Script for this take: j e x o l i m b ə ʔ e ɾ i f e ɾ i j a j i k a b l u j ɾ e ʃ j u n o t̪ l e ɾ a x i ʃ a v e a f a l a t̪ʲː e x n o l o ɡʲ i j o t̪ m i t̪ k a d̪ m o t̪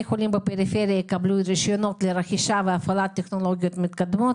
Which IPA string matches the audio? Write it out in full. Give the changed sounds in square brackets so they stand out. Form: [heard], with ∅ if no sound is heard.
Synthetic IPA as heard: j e x o l i m b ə [p] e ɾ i f e ɾ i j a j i k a b l u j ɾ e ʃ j [o] n o t̪ l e ɾ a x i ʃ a v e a f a l a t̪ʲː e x n o l o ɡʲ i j o t̪ m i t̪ k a d̪ m o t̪